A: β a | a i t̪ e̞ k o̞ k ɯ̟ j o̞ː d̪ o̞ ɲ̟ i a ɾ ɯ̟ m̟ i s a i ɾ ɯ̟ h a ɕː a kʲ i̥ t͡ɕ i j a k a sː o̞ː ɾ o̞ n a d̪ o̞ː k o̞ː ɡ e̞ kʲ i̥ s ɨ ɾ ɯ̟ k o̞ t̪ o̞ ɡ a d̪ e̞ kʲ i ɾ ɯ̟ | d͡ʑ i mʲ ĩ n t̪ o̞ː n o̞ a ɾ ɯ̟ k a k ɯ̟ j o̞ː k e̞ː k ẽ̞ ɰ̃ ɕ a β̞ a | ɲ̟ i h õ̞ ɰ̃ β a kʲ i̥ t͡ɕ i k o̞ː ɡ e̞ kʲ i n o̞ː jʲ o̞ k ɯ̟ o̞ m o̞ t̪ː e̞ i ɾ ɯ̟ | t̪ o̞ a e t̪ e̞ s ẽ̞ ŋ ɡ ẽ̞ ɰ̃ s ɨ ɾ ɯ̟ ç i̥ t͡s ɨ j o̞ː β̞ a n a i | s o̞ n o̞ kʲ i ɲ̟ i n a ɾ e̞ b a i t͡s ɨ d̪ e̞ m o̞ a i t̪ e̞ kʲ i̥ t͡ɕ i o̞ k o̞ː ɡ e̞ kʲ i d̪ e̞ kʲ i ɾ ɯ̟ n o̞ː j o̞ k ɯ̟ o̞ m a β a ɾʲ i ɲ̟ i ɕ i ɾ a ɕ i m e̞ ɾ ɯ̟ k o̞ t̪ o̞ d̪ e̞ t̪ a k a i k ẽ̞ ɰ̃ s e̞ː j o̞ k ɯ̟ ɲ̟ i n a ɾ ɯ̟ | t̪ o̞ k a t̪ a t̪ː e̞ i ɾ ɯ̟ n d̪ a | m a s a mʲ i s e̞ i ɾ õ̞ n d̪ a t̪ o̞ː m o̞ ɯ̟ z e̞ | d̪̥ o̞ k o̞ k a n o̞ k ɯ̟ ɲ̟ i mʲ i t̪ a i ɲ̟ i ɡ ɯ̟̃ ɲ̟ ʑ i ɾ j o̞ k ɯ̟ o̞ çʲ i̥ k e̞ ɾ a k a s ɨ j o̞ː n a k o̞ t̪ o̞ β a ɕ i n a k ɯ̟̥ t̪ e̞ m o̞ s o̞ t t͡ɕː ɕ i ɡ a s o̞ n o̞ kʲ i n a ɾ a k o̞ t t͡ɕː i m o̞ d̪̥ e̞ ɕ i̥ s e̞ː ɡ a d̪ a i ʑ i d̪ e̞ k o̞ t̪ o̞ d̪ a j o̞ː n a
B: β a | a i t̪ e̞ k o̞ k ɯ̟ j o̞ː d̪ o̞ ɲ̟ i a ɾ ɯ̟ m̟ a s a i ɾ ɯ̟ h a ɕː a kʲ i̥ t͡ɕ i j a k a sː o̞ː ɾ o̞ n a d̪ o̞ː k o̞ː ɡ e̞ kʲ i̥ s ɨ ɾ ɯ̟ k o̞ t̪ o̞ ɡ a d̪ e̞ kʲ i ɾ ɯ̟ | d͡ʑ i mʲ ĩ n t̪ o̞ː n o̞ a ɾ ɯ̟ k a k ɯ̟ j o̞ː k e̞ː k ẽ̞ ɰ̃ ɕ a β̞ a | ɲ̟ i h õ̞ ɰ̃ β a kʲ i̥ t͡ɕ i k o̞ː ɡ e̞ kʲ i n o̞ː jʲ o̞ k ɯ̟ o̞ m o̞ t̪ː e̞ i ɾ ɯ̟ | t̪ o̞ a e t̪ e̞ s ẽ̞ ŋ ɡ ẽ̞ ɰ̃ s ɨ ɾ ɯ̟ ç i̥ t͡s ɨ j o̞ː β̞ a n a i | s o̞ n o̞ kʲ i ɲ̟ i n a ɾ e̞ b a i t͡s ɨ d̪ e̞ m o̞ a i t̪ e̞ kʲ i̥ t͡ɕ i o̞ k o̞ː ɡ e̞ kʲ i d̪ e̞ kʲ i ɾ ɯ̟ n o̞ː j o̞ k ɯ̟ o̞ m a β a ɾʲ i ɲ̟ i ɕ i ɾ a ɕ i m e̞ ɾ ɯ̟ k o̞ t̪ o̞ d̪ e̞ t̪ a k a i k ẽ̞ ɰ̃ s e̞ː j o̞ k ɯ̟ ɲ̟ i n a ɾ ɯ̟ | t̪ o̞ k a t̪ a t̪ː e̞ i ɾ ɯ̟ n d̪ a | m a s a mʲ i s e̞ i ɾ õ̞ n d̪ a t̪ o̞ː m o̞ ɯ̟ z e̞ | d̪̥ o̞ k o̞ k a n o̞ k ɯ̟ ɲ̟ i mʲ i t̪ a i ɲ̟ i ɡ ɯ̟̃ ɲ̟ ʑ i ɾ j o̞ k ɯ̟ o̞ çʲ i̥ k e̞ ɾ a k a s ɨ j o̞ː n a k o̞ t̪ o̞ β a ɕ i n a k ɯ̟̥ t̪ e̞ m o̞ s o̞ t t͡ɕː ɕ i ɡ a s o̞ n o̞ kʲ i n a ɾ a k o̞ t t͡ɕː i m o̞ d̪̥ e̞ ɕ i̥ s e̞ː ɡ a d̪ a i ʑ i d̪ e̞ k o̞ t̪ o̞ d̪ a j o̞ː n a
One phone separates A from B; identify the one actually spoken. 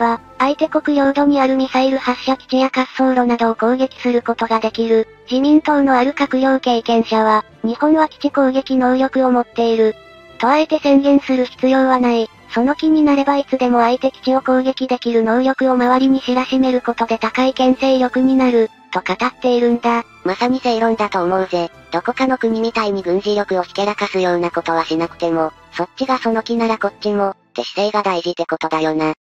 A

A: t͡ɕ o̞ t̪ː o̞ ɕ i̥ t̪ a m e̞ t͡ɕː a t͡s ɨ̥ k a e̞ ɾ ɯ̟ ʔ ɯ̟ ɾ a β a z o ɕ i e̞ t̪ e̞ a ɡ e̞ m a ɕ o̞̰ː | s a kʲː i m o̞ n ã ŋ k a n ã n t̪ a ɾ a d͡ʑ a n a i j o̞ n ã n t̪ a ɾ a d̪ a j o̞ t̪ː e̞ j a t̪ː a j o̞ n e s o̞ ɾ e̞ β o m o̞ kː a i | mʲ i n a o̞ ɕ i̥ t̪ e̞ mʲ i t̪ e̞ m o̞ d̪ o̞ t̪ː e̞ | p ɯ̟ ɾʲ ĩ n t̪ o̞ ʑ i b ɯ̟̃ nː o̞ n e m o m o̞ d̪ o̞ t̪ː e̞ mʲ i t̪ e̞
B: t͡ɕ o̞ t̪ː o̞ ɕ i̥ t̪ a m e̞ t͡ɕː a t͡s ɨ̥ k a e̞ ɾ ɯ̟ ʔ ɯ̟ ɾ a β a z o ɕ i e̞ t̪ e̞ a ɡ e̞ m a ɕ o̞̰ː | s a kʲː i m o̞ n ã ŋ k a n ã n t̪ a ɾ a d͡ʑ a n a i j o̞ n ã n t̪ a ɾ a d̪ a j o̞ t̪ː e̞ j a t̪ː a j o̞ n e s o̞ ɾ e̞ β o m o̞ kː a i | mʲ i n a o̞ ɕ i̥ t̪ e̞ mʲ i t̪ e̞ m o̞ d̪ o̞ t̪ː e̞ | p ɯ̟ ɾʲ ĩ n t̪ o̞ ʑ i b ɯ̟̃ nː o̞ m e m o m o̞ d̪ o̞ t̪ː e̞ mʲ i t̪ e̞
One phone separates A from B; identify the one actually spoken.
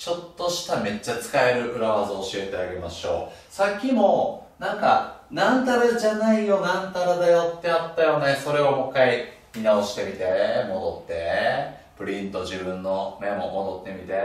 A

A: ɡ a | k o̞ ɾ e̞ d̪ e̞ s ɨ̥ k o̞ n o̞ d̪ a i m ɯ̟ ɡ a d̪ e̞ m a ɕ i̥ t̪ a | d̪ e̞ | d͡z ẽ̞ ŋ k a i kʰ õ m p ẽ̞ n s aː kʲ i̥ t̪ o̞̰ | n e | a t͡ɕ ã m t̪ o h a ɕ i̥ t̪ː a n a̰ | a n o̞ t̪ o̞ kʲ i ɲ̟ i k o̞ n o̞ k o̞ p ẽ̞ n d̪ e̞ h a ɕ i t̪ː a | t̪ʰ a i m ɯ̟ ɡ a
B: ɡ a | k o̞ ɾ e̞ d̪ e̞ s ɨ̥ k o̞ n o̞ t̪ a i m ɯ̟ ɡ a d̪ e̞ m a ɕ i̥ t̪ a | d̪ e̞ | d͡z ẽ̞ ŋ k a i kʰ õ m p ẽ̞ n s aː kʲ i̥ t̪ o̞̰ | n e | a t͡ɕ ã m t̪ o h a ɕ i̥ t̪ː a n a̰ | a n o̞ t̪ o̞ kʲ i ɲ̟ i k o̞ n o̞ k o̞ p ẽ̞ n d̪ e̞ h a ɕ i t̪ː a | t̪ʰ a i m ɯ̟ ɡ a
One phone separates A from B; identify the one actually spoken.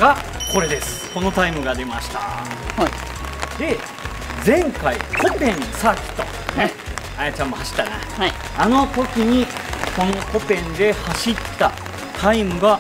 B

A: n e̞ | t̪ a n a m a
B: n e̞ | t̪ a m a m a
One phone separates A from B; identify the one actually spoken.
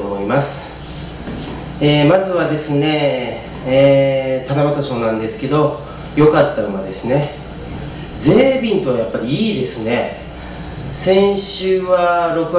A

